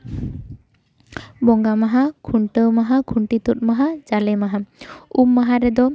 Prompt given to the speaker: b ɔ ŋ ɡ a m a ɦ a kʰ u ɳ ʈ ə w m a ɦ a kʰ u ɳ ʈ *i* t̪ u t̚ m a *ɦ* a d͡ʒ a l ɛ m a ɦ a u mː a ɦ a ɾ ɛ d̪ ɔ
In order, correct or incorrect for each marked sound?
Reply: correct, correct

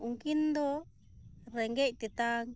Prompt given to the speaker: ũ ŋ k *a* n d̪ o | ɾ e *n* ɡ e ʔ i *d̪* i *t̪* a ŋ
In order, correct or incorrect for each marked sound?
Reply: incorrect, incorrect, incorrect, correct

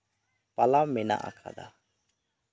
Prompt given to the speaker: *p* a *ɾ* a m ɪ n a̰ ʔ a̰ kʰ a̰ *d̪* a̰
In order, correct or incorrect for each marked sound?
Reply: correct, incorrect, correct

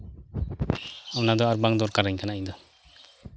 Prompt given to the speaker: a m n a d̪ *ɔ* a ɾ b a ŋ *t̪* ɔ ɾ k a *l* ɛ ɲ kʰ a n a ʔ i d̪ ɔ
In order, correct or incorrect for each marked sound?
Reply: correct, incorrect, incorrect

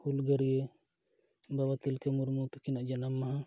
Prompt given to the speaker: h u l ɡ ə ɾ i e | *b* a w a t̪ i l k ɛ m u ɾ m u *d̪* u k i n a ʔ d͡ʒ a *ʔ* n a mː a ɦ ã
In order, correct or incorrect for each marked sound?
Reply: correct, incorrect, incorrect

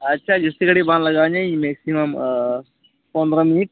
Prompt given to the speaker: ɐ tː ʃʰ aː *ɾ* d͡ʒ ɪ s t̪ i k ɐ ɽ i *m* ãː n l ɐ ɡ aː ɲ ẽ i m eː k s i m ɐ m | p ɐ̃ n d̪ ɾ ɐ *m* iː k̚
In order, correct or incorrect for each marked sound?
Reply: incorrect, incorrect, correct

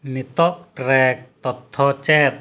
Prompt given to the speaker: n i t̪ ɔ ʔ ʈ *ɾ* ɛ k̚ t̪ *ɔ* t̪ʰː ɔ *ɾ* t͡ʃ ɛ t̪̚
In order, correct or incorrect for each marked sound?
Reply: correct, correct, incorrect

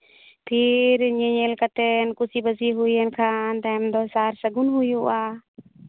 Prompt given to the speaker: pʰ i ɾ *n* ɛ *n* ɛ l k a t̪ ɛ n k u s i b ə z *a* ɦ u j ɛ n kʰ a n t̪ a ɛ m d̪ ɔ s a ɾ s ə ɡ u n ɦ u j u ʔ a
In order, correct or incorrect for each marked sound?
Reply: incorrect, incorrect, incorrect

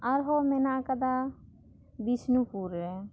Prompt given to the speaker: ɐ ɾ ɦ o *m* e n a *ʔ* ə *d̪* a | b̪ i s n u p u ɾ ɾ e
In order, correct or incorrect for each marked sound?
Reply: correct, incorrect, correct

